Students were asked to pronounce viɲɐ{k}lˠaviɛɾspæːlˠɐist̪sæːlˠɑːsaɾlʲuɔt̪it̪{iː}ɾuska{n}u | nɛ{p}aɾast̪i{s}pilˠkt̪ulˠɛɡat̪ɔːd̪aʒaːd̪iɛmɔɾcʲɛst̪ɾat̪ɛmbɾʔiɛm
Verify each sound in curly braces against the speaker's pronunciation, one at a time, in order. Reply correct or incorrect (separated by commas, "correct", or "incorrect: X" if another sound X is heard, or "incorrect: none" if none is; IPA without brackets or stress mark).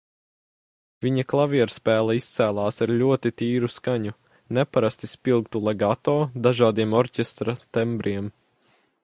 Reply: correct, correct, incorrect: ɲ, correct, correct